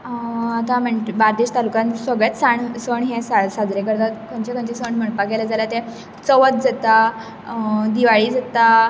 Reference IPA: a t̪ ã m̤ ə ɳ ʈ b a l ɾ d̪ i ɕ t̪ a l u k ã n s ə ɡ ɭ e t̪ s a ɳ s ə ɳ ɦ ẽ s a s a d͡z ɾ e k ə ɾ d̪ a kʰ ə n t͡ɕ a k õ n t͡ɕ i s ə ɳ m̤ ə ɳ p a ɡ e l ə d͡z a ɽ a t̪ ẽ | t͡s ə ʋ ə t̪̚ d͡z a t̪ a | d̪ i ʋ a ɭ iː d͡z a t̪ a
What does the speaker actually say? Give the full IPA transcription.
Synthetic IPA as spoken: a t̪ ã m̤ ə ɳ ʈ b a ɾ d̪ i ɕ t̪ a l u k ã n s ə ɡ ɭ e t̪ s a ɳ s ə ɳ ɦ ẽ s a s a d͡z ɾ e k ə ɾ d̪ a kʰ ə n t͡ɕ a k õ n t͡ɕ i s ə ɳ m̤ ə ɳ p a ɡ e l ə d͡z a l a t̪ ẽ | t͡s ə ʋ ə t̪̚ d͡z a t̪ a | d̪ i ʋ a ɭ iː d͡z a t̪ a